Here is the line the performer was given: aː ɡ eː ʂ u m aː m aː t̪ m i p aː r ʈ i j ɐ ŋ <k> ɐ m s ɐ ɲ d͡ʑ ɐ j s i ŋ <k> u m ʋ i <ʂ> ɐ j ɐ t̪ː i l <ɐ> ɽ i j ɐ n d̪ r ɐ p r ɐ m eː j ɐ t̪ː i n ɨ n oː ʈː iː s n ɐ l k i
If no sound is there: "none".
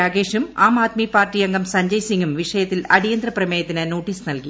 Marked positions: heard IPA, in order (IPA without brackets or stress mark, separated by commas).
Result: ɡ, ɡ, ʂ, ɐ